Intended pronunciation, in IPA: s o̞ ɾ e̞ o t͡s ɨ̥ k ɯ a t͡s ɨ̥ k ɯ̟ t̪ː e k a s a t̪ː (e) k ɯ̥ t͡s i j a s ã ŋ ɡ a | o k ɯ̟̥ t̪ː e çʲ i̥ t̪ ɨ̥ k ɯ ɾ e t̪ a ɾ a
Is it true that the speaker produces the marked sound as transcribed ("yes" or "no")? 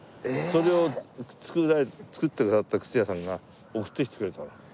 no